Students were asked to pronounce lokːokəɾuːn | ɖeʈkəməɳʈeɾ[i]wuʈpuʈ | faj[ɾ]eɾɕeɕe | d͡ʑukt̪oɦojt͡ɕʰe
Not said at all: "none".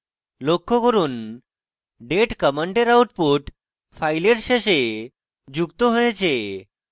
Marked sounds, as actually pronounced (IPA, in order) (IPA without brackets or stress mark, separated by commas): a, l